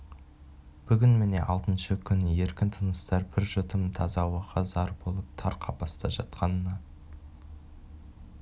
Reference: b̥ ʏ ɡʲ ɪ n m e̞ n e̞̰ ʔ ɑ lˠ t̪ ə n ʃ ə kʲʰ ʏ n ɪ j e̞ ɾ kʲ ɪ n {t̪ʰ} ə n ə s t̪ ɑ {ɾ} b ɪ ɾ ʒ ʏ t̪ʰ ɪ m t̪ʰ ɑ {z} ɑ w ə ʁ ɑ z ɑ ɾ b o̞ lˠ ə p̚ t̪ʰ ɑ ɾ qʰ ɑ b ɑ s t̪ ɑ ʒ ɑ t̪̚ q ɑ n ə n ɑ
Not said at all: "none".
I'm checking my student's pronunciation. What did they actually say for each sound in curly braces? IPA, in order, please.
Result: t̪ʰ, ɾ, z

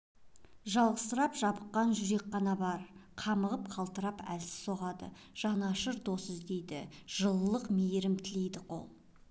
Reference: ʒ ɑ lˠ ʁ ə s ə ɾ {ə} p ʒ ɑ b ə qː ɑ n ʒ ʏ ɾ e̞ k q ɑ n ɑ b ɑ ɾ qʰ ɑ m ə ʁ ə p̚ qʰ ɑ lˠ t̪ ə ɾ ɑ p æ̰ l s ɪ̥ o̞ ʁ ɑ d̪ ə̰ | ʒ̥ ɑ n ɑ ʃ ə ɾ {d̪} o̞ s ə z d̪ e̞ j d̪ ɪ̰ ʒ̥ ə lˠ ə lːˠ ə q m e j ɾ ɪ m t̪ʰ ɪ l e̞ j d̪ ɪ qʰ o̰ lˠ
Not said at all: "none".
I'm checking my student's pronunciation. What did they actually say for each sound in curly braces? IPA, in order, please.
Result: ɑ, d̪

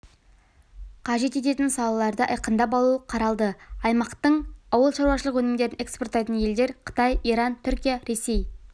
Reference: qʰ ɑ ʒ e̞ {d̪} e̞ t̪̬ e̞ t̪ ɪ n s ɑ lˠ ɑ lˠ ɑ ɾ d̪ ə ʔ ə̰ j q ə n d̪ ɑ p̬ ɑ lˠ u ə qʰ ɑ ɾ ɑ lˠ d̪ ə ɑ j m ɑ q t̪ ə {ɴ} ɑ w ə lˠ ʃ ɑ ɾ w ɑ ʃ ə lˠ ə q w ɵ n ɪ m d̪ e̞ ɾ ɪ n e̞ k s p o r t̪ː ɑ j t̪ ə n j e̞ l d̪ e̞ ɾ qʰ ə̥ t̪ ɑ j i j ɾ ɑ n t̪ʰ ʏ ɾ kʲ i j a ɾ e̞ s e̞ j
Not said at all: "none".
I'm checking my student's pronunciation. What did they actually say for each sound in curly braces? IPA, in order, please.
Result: t̪, ɴ

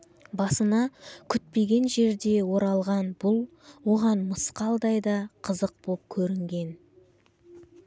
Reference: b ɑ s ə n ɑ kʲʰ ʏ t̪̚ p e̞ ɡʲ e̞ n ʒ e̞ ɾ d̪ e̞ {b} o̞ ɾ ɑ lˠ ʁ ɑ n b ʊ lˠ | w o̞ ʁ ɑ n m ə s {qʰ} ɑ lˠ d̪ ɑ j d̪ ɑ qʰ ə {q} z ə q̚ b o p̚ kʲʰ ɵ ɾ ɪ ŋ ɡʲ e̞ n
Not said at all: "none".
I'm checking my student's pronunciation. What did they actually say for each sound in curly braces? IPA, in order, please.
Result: w, q, none

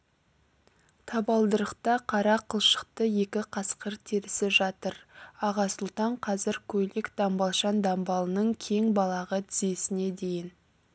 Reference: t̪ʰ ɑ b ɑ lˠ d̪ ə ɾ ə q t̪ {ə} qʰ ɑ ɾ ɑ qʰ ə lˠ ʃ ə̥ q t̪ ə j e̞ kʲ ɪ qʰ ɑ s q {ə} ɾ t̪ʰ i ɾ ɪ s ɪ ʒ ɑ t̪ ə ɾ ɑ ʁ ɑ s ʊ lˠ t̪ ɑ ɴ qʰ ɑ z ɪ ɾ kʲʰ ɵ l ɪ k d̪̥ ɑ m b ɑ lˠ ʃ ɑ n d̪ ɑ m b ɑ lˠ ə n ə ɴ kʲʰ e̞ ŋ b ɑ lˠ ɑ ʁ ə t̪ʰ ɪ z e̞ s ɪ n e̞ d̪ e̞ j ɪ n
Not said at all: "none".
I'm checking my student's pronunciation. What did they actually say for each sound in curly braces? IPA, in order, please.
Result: ɑ, ə

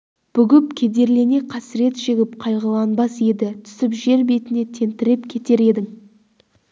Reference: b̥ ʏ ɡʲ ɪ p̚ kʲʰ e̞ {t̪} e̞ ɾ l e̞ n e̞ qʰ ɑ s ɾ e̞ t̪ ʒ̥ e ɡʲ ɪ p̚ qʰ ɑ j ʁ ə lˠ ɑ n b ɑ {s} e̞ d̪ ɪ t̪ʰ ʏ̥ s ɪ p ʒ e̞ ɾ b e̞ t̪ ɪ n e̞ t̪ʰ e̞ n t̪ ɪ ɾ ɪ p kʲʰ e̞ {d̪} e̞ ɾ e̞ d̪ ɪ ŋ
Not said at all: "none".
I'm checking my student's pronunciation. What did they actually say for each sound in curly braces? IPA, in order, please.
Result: d̪, s, t̪

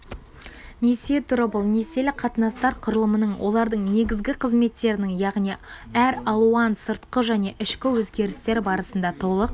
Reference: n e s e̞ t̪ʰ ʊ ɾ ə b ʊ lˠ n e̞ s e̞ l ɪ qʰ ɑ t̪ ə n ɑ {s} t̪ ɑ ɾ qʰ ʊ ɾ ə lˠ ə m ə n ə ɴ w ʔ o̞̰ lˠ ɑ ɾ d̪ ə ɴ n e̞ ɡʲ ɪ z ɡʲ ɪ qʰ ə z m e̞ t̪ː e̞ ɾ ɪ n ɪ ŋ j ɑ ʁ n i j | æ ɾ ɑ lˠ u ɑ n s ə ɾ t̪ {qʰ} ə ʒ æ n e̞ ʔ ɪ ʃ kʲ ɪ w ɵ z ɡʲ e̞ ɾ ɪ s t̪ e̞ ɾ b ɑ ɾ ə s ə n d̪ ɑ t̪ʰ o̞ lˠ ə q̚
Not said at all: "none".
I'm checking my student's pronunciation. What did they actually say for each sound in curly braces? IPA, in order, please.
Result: s, q

